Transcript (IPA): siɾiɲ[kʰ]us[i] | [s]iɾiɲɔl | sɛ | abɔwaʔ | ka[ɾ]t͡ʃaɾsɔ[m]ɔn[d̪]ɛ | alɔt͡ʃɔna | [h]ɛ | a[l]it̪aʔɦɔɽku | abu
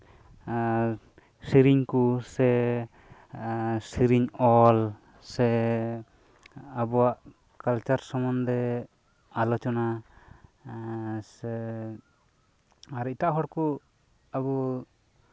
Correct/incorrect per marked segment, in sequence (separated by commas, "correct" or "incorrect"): incorrect, incorrect, correct, incorrect, correct, correct, incorrect, incorrect